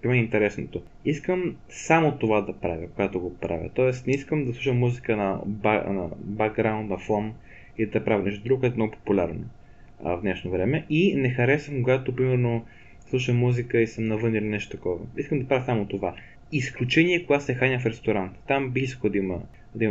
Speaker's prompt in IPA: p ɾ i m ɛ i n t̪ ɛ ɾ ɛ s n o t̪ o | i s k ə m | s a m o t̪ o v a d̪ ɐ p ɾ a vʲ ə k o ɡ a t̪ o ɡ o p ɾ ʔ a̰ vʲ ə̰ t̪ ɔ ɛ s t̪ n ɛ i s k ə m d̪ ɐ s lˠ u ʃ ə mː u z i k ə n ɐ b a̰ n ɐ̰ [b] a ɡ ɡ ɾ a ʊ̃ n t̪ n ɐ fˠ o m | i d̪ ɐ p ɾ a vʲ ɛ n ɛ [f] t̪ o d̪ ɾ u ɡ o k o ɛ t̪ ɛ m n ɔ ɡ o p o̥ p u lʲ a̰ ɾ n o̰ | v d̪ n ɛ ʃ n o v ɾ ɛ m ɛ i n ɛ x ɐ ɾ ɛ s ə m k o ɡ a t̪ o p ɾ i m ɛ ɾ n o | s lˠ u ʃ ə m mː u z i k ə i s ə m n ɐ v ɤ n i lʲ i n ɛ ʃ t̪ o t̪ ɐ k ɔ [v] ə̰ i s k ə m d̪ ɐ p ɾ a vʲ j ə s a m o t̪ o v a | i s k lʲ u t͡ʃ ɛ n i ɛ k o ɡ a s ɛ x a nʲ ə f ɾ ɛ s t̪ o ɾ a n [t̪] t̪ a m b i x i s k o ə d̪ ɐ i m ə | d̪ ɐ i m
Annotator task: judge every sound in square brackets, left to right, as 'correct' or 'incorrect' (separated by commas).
correct, incorrect, correct, correct